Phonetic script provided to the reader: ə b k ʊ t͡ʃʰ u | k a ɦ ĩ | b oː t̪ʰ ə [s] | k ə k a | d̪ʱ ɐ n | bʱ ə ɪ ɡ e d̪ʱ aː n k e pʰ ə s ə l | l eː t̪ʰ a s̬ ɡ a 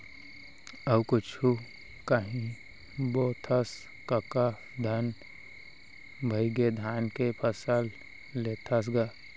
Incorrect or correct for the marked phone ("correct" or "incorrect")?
correct